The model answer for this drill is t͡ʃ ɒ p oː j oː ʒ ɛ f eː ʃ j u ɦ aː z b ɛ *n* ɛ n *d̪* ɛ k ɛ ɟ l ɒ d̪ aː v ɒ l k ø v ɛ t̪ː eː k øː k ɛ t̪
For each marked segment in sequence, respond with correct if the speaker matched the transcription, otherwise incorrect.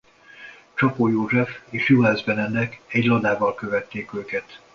correct, correct

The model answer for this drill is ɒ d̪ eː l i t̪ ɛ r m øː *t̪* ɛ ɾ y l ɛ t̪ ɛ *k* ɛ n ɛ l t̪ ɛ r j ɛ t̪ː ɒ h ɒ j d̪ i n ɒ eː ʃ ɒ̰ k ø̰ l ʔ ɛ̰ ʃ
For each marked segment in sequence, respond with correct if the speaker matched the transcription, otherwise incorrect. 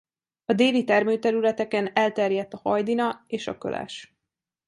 correct, correct

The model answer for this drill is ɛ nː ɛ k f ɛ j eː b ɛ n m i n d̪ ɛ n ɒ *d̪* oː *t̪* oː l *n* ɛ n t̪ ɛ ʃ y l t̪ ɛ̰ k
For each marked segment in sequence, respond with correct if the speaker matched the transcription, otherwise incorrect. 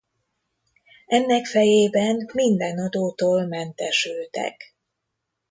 correct, correct, incorrect

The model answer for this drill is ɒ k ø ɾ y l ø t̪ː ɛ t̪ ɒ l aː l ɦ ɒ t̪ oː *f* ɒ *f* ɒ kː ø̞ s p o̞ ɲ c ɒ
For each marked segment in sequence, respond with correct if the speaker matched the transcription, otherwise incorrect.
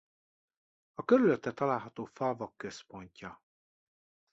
correct, incorrect

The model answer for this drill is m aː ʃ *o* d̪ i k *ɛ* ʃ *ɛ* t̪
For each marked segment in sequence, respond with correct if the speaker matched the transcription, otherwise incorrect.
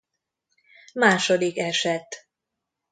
correct, correct, correct

